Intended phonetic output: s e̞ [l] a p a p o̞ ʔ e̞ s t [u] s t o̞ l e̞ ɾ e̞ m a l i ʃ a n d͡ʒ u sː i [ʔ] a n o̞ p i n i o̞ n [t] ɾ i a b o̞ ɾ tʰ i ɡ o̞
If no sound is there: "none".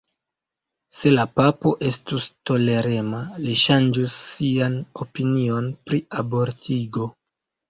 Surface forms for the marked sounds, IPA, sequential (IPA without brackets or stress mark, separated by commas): l, u, none, p